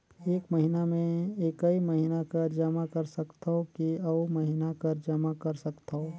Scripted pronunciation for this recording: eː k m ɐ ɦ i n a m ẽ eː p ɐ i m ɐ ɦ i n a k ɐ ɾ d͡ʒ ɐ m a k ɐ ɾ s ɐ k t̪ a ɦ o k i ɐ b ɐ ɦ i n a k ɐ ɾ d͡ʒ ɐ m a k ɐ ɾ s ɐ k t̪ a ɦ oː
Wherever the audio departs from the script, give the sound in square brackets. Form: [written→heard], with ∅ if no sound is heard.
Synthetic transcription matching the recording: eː k m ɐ ɦ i n a m ẽ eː [p→k] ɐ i m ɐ ɦ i n a k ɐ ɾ d͡ʒ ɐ m a k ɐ ɾ s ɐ k t̪ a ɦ o k i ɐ [b→m] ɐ ɦ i n a k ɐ ɾ d͡ʒ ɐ m a k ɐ ɾ s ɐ k t̪ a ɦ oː